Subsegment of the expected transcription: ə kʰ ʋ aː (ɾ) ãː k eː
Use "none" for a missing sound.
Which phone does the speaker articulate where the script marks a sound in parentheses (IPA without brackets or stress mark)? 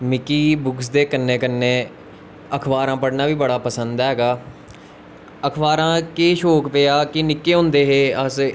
ɾ